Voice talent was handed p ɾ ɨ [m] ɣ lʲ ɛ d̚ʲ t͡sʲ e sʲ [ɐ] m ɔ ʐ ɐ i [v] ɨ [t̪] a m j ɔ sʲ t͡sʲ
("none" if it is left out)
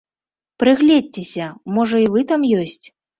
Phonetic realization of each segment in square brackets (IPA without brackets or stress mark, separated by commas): none, ɐ, v, t̪